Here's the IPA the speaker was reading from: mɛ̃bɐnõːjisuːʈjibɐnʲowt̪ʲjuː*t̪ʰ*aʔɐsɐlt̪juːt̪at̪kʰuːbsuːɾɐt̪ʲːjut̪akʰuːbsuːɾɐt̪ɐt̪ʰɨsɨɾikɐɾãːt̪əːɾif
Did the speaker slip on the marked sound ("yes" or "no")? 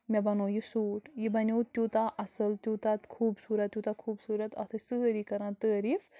yes